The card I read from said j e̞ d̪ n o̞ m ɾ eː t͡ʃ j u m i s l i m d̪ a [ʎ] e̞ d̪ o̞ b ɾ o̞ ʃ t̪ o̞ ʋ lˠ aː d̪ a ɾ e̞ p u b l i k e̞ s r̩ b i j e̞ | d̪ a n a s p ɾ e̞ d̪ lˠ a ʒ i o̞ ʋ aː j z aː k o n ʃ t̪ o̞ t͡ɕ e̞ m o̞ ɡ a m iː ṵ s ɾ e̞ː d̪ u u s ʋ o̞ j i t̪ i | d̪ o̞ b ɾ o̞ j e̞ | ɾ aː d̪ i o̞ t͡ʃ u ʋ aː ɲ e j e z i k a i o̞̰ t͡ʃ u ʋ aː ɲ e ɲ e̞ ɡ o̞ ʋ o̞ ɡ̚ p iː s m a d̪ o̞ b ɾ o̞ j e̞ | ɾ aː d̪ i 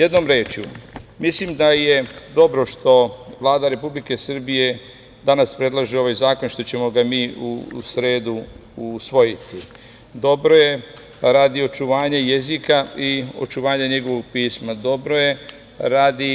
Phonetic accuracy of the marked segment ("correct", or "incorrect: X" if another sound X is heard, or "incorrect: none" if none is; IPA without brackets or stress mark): incorrect: j